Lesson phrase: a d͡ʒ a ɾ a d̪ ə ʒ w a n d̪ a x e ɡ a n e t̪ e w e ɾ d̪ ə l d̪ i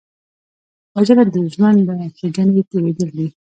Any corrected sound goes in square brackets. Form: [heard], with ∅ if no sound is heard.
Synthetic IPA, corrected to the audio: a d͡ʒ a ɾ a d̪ ə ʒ w a n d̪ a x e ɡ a n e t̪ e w e [∅] d̪ ə l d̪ i